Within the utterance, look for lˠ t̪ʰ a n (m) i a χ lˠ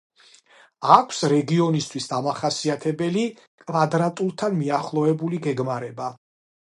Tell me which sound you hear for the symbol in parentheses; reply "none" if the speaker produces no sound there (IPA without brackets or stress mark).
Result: m